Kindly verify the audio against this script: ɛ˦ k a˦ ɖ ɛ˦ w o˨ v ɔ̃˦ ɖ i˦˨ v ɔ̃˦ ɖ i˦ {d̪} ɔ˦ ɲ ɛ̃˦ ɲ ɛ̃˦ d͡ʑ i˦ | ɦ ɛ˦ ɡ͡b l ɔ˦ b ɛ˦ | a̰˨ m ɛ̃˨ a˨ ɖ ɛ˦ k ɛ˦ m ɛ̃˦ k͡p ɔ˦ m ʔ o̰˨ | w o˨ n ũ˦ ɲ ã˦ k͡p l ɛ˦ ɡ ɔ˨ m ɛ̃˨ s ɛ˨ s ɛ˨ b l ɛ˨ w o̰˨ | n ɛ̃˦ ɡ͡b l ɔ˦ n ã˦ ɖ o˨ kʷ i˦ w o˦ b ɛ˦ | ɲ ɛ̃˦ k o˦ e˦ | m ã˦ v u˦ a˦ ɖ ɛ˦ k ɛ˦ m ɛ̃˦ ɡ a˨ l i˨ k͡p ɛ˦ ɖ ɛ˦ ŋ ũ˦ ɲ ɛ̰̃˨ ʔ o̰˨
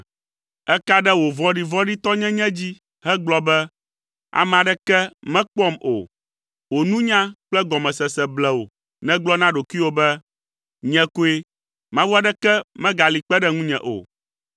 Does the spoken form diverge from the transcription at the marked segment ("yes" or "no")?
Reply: yes